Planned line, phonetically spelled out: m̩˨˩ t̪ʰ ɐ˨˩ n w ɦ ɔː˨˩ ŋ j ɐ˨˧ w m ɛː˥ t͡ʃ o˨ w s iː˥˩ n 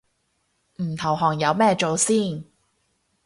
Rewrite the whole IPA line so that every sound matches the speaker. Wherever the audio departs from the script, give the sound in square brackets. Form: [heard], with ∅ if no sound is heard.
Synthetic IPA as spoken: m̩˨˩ t̪ʰ ɐ˨˩ [∅] w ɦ ɔː˨˩ ŋ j ɐ˨˧ w m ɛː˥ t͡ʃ o˨ w s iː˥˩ n

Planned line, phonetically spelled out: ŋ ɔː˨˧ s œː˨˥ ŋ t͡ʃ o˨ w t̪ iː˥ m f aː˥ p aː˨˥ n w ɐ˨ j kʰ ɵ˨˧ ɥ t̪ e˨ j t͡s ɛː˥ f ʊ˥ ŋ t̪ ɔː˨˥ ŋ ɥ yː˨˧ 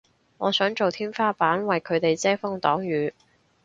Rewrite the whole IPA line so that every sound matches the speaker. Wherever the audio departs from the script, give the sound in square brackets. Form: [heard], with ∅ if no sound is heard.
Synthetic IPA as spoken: ŋ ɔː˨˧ s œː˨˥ ŋ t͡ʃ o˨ w [t̪ʰ] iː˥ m f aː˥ p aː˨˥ n w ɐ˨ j kʰ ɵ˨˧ ɥ t̪ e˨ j t͡s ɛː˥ f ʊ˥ ŋ t̪ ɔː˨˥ ŋ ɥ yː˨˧

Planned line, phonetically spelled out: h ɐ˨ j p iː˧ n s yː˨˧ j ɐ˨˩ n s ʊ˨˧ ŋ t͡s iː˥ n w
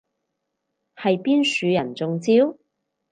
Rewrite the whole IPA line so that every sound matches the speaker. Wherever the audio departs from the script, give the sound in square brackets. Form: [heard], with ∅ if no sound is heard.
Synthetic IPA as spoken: h ɐ˨ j p [iː˥] n s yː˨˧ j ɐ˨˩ n [t͡s] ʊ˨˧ ŋ t͡s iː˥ [∅] w

